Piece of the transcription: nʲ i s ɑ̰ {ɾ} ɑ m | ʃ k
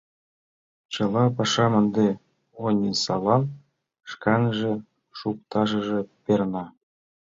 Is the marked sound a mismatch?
yes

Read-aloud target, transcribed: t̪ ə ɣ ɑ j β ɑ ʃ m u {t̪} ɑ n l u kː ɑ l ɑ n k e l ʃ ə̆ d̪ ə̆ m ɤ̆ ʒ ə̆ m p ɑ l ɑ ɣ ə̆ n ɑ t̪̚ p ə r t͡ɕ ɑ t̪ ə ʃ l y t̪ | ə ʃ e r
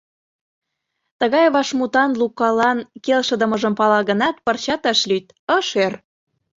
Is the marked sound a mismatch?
no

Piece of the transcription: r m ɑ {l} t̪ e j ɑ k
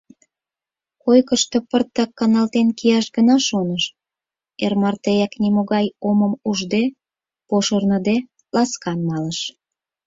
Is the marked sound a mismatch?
yes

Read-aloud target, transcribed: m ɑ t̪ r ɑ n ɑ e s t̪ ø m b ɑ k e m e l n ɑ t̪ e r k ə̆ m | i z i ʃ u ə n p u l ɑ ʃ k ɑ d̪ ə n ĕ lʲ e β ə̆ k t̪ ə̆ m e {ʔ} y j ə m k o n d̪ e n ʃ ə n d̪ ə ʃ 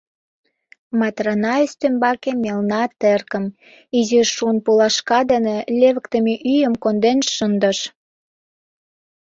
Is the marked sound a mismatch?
no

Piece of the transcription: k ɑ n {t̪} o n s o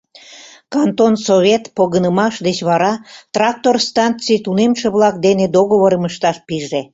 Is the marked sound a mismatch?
no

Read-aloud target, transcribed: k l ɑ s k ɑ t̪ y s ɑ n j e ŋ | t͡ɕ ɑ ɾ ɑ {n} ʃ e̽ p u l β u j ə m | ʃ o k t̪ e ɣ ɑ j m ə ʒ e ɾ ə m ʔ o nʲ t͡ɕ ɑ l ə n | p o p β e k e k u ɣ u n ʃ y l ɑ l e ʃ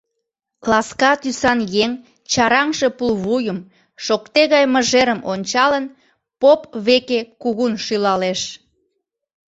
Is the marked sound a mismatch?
yes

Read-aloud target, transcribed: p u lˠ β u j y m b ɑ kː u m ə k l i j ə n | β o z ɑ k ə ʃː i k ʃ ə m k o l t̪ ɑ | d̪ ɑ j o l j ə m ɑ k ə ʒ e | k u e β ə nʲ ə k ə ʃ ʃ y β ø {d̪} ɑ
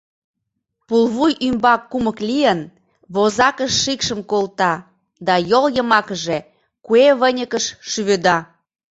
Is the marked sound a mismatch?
no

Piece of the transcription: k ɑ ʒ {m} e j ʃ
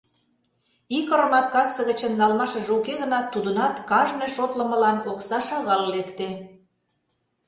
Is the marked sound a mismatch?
yes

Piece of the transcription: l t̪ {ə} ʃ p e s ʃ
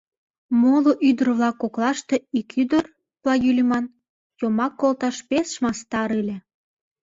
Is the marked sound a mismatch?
yes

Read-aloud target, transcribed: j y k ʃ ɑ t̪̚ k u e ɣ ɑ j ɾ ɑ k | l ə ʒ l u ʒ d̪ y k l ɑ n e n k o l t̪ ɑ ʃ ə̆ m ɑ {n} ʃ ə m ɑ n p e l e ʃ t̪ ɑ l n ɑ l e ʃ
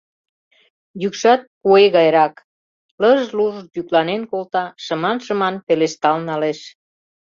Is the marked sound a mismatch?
no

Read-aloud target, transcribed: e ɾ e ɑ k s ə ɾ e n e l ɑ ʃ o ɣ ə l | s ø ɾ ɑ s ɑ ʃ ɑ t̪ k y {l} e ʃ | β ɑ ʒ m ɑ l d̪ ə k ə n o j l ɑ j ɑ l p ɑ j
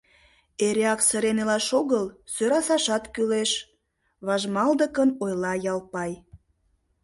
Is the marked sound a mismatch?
no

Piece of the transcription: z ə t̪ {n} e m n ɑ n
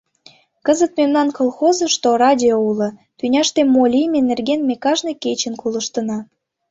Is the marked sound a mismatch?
yes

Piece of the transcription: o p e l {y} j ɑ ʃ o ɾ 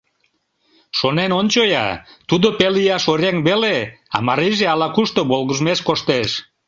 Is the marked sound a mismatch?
yes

